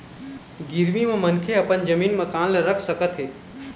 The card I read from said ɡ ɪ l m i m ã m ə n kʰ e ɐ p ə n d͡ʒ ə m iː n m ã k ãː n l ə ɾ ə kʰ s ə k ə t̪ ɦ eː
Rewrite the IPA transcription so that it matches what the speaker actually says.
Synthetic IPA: ɡ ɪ ɾ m i m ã m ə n kʰ e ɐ p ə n d͡ʒ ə m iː n m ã k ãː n l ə ɾ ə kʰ s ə k ə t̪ ɦ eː